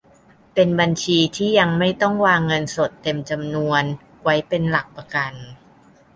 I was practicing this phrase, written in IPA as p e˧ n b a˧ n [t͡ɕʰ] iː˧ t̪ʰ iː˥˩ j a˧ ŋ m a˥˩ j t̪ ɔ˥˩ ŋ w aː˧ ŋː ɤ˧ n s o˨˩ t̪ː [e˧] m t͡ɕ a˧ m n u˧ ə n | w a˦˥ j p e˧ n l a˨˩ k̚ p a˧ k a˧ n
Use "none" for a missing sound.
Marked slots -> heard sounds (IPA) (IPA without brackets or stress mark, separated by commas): t͡ɕʰ, e˧